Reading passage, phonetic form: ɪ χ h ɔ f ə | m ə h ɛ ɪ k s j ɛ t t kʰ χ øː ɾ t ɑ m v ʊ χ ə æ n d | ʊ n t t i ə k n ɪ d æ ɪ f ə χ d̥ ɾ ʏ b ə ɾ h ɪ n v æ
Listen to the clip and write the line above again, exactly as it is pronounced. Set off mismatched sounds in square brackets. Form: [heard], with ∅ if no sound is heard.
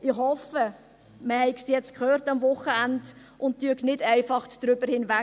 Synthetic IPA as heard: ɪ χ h ɔ f ə | m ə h ɛ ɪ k s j ɛ [t͡s] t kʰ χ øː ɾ t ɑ m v ʊ χ ə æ n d | ʊ n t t [y] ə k n ɪ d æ ɪ f [ɑ] χ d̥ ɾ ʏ b ə ɾ h ɪ n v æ